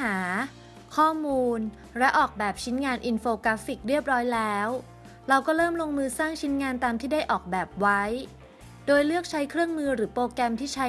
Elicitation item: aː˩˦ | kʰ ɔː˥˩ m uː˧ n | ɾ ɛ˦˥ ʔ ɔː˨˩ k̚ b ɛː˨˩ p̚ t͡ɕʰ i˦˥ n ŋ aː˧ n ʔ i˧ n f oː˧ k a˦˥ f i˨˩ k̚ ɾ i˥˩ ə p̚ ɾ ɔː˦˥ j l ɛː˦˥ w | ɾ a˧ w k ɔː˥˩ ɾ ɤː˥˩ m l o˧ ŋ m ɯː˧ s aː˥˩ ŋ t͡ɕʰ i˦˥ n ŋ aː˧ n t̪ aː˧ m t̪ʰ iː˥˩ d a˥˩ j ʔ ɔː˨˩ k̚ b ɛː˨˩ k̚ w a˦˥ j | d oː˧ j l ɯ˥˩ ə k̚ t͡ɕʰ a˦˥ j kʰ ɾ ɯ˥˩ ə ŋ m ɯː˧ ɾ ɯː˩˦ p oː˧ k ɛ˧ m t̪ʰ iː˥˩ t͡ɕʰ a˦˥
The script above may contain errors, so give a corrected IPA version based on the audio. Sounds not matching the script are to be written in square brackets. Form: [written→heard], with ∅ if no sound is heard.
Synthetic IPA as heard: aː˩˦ | kʰ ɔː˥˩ m uː˧ n | ɾ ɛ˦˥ ʔ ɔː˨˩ k̚ b ɛː˨˩ p̚ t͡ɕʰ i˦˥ n ŋ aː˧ n ʔ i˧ n f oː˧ k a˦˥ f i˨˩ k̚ ɾ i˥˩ ə p̚ ɾ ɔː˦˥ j l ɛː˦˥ w | ɾ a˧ w k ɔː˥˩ ɾ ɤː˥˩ m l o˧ ŋ m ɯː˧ s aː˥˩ ŋ t͡ɕʰ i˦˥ n ŋ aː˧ n t̪ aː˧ m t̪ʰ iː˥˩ d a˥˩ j ʔ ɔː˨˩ k̚ b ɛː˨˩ [k̚→p̚] w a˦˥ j | d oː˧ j l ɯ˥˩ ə k̚ t͡ɕʰ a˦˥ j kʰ ɾ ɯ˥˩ ə ŋ m ɯː˧ ɾ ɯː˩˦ p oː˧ k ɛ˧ m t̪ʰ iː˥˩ t͡ɕʰ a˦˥